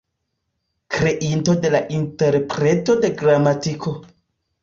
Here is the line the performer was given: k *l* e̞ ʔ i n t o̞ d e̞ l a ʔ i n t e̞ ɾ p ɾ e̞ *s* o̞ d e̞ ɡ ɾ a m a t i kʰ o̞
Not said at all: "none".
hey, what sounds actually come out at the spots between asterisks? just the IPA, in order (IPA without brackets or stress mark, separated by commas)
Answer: ɾ, t